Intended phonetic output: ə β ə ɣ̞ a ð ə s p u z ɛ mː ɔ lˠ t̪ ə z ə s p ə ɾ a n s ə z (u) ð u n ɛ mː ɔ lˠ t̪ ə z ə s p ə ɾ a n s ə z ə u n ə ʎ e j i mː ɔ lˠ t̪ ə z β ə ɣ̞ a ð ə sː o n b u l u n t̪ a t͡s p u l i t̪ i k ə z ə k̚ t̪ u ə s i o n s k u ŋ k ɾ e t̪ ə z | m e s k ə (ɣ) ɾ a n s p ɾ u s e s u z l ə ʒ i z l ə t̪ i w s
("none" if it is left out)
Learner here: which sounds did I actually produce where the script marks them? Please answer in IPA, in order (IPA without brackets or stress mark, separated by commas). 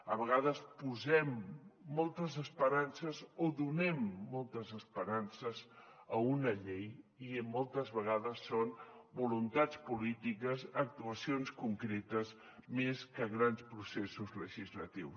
o, ɣ